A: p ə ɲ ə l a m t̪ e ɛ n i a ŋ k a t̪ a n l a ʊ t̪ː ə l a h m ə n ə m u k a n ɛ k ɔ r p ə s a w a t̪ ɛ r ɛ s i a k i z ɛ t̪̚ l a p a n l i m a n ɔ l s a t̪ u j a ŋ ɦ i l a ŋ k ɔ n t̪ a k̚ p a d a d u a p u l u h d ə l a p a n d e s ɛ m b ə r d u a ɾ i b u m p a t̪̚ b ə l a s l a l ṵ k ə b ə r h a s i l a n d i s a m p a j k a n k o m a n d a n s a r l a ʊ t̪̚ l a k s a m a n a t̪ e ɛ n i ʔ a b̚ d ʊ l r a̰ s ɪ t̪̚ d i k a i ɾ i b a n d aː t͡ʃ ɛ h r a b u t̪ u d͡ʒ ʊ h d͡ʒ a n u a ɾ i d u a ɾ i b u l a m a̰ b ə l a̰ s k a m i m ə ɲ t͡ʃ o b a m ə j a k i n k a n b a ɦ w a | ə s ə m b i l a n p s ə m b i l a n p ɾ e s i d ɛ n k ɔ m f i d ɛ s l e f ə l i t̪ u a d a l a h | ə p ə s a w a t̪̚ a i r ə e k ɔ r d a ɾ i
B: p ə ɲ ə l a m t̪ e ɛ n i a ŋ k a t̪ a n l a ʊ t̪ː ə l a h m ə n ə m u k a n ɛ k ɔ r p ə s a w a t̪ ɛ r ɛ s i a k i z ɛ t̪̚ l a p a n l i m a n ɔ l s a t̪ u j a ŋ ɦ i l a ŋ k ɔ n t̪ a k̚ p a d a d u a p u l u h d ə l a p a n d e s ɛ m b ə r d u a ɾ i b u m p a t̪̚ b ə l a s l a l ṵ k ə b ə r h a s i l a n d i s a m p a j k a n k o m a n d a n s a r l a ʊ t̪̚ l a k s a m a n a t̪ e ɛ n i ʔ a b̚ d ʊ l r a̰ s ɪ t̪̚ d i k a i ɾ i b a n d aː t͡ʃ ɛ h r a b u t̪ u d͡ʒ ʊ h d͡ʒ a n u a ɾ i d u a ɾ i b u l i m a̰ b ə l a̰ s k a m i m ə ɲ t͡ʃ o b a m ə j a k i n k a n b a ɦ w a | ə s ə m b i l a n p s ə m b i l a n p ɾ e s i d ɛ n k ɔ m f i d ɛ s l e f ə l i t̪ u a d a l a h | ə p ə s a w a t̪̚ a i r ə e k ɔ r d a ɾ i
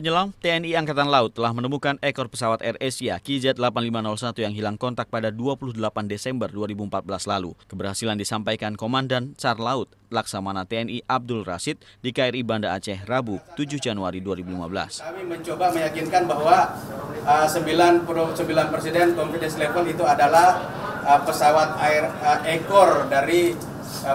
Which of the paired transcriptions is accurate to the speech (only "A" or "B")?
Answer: B